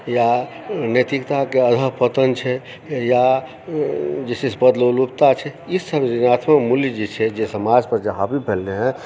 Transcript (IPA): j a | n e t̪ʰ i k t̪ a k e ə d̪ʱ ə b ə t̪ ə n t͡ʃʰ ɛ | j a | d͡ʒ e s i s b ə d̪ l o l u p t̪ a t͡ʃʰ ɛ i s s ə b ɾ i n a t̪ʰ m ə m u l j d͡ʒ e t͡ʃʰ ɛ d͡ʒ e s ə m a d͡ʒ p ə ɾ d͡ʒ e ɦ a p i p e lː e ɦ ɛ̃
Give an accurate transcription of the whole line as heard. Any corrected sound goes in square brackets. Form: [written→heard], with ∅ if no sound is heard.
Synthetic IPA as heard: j a | n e [t̪ʰ→t̪] i k t̪ a k e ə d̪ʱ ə [b→p] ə t̪ ə n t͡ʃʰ ɛ | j a | d͡ʒ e s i s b ə d̪ l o l u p t̪ a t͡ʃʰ ɛ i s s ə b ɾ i n a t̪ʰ m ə m u l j d͡ʒ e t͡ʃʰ ɛ d͡ʒ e s ə m a d͡ʒ p ə ɾ d͡ʒ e ɦ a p i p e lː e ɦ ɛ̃